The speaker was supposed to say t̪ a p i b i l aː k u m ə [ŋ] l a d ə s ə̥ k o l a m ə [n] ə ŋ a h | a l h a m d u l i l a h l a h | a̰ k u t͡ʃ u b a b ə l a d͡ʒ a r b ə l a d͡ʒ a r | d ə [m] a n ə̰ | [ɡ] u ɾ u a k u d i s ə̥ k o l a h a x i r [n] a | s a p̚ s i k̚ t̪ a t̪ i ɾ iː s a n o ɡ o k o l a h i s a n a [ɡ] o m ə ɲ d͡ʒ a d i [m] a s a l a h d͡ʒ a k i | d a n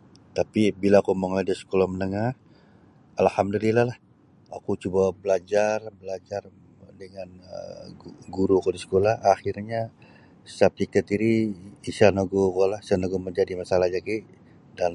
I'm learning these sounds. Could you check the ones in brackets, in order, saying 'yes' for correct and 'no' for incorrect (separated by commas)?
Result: yes, yes, no, yes, no, yes, yes